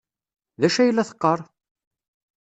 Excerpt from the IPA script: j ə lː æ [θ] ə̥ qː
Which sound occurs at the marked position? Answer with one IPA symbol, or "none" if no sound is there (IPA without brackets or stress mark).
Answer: θ